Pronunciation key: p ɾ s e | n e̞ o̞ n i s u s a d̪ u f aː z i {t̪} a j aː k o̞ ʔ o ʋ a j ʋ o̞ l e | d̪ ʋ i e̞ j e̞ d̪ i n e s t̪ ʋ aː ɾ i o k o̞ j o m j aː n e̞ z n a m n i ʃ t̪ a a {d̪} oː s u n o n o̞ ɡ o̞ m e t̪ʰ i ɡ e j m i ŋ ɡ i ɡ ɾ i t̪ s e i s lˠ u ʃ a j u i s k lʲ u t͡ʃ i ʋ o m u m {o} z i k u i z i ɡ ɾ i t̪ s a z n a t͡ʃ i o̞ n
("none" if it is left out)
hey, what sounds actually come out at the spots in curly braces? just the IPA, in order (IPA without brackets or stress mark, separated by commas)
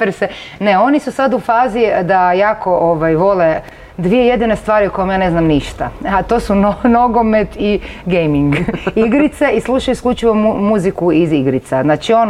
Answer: d̪, t̪, u